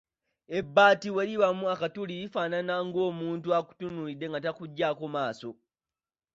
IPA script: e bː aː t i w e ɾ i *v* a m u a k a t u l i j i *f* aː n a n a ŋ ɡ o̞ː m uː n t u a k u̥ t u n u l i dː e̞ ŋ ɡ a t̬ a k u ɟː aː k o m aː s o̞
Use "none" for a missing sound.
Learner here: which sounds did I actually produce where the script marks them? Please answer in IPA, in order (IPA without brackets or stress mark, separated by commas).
β, f